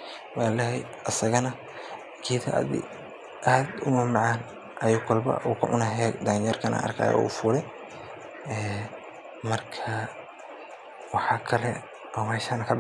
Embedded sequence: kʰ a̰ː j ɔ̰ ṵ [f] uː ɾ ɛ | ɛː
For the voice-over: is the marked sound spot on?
yes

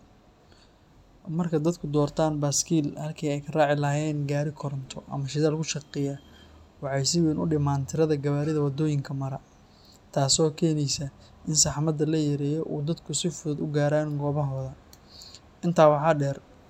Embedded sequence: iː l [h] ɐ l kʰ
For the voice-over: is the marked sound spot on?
yes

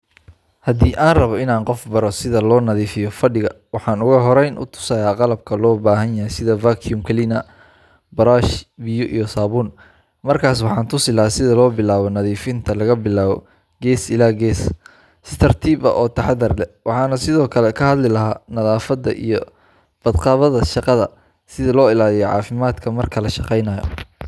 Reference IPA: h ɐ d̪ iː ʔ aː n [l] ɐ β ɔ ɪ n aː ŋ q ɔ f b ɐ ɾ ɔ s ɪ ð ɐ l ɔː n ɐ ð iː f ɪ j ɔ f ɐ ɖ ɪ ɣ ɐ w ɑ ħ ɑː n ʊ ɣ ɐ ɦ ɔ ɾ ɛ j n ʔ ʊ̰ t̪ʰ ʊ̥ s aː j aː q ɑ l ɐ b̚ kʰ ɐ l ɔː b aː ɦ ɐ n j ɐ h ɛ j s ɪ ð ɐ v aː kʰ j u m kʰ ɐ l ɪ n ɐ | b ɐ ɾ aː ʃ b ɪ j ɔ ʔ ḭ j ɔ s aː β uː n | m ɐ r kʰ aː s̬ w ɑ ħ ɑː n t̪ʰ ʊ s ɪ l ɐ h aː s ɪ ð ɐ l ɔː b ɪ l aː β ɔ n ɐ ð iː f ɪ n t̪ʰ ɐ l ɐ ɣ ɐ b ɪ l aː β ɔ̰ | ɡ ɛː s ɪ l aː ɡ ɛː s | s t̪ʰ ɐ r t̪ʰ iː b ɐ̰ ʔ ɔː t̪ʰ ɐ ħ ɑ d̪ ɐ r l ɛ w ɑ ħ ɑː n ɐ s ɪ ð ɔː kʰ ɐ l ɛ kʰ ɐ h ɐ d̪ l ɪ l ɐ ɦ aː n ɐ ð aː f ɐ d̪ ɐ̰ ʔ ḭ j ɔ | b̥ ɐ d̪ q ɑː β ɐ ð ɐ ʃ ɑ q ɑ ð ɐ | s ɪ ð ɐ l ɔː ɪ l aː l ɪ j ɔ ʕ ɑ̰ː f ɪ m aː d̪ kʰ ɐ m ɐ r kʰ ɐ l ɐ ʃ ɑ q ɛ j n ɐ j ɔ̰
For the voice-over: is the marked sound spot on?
no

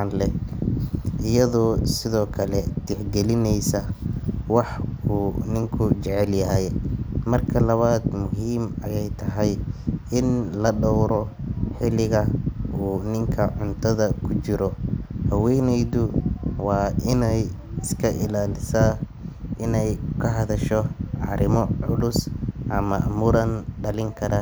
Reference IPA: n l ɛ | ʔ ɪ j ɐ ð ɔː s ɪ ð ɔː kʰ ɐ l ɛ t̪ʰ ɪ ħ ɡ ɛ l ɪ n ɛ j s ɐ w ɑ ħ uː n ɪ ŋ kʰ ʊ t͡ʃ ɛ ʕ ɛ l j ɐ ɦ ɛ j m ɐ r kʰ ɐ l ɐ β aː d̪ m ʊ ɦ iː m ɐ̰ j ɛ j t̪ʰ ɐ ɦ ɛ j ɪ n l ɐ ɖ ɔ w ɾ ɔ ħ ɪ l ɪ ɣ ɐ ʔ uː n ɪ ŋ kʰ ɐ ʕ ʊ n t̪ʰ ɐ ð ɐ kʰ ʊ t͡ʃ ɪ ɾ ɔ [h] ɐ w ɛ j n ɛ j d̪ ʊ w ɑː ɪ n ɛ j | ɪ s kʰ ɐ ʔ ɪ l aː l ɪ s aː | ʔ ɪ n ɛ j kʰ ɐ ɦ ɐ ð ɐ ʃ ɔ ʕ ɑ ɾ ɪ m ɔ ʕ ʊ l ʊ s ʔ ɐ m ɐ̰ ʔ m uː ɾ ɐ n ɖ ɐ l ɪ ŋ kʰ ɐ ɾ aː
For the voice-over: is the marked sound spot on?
yes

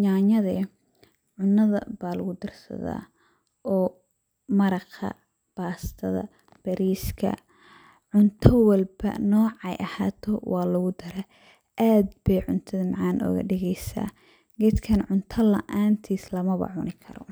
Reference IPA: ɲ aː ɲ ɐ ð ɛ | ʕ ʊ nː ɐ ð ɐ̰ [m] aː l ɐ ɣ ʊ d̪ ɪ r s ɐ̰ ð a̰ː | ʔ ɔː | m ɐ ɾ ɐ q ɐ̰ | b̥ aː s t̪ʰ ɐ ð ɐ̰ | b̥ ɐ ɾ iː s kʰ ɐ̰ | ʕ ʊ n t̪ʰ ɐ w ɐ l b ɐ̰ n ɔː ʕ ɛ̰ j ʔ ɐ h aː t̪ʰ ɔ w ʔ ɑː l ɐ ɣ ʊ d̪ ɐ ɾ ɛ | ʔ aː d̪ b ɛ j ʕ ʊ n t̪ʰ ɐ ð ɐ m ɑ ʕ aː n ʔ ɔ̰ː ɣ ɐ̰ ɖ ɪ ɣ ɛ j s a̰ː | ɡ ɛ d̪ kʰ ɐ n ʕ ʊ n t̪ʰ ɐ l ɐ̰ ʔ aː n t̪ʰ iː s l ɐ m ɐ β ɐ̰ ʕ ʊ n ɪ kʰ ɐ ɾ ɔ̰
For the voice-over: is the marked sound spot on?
no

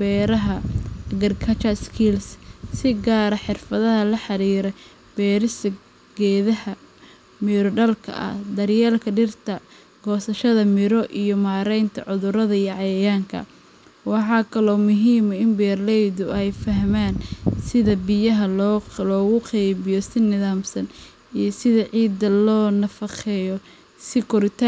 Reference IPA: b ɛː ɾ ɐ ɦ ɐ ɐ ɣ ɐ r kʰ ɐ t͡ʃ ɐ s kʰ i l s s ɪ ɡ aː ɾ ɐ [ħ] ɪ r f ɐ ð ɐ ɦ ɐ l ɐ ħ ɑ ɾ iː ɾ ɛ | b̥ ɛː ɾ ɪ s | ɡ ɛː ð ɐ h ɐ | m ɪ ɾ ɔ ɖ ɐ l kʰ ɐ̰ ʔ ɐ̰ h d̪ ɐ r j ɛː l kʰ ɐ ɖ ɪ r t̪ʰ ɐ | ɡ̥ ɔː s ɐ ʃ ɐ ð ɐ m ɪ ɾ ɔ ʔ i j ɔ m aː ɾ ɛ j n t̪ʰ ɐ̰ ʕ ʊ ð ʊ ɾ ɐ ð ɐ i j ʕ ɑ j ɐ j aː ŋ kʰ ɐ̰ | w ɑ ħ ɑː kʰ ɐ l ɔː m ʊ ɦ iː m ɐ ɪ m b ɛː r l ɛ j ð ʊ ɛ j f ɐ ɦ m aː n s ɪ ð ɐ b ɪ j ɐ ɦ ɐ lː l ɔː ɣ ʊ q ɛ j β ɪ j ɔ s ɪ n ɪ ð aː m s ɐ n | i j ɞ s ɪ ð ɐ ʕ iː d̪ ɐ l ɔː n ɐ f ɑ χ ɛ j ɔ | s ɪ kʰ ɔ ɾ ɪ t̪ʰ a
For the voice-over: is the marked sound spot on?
yes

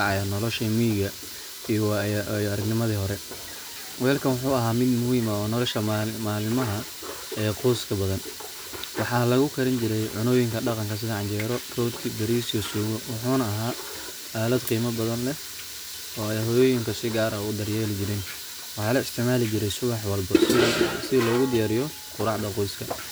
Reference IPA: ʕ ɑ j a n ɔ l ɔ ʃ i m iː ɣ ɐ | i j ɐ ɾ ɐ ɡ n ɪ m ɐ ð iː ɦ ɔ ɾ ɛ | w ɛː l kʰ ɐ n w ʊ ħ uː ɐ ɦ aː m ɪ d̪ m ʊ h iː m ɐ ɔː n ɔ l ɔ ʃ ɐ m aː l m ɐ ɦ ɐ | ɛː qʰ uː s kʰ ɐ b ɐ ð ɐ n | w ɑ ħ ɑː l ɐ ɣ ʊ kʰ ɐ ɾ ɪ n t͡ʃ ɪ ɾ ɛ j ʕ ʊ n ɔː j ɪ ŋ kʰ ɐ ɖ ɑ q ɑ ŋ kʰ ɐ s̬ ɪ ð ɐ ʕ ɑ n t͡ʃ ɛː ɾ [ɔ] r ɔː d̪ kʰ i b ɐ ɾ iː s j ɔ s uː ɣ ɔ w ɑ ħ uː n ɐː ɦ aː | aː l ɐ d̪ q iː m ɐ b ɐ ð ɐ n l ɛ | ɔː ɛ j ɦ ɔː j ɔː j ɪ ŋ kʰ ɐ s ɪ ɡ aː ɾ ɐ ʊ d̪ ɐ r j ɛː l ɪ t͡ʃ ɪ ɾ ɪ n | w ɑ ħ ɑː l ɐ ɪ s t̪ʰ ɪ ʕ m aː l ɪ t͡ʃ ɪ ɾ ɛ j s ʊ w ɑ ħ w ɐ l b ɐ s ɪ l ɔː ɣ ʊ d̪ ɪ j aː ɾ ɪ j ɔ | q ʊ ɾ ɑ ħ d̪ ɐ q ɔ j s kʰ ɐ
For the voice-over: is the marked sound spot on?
yes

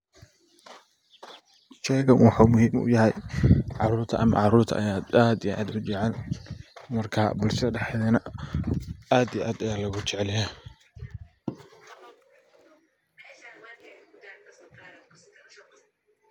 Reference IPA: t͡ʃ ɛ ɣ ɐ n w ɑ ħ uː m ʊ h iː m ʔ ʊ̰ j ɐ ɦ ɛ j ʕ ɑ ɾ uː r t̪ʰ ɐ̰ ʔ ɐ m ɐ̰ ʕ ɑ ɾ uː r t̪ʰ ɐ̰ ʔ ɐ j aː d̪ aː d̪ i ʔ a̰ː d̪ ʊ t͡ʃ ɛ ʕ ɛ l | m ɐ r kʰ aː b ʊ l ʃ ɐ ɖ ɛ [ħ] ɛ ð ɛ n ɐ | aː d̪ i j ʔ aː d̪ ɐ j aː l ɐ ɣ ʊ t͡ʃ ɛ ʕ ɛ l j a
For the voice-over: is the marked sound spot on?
yes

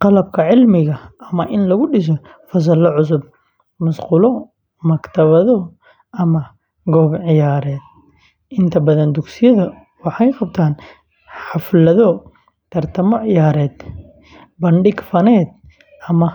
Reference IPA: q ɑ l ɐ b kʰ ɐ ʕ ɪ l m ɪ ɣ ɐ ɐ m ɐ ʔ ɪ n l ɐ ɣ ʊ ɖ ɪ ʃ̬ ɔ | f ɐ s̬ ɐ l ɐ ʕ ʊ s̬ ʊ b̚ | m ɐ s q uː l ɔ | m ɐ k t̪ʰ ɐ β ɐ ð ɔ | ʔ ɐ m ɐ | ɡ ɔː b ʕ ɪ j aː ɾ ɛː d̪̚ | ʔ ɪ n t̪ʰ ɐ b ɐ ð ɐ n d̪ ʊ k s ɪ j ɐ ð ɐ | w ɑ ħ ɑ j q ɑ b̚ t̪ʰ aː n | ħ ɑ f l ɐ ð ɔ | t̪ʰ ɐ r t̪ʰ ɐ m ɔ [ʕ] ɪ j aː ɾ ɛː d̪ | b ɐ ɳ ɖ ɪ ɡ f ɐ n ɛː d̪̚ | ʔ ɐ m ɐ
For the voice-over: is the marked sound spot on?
yes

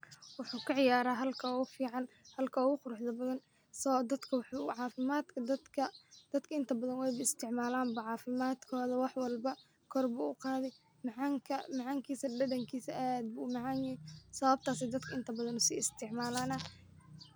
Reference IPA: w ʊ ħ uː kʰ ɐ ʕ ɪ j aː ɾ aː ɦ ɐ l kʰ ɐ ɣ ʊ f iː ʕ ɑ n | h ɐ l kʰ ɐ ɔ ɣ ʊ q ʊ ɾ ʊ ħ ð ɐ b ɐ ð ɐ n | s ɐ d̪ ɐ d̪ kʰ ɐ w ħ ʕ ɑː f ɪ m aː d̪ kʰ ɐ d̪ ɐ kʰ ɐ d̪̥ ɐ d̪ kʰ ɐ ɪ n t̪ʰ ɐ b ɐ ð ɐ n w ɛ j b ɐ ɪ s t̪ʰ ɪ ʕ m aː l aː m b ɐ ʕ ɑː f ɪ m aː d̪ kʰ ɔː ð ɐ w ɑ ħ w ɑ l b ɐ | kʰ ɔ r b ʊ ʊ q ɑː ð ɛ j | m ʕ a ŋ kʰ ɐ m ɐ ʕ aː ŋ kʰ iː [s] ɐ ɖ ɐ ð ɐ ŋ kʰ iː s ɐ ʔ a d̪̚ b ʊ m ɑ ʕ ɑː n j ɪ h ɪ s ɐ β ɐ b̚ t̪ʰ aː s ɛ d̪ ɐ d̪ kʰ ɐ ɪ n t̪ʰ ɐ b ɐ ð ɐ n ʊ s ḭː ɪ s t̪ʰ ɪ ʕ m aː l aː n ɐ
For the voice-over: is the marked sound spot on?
yes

